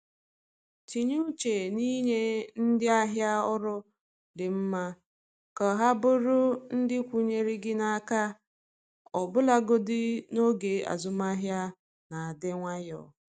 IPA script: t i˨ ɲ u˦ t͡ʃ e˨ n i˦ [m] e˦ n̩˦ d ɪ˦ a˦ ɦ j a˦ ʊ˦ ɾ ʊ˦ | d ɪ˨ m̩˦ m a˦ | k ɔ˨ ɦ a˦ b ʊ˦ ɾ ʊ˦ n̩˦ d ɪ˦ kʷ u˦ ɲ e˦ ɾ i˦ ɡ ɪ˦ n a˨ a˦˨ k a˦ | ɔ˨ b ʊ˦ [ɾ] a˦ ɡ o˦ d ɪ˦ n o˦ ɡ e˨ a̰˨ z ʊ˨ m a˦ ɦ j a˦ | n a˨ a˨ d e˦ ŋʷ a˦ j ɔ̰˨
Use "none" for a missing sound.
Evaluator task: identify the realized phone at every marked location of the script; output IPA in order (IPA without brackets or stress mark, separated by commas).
ɲ, l